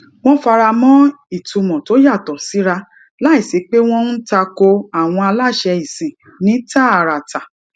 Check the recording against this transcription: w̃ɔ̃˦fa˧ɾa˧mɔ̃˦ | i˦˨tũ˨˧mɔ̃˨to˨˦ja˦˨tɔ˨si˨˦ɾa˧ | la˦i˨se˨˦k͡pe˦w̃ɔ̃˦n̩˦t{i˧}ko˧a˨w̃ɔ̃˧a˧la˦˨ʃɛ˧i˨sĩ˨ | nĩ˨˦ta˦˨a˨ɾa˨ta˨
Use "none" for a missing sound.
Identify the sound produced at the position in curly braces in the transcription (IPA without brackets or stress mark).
a˧